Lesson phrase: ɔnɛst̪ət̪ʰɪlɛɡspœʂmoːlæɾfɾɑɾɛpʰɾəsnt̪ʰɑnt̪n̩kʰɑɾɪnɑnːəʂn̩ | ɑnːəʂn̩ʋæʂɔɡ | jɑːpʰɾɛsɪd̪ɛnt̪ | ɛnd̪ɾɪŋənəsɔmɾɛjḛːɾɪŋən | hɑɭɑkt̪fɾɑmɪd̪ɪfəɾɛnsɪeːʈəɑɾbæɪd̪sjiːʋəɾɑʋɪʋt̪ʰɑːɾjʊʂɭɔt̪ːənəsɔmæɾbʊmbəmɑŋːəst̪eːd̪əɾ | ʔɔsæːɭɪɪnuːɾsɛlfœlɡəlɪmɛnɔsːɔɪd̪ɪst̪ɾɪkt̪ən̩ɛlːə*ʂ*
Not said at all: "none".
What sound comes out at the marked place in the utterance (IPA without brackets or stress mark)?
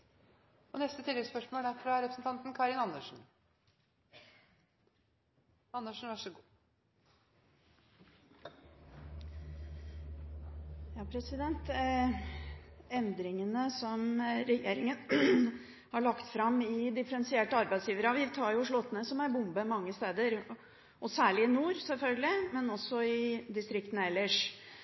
ʂ